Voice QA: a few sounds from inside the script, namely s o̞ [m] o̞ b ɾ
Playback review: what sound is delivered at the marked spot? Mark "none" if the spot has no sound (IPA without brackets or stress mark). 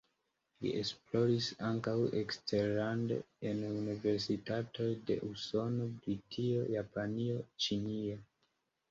n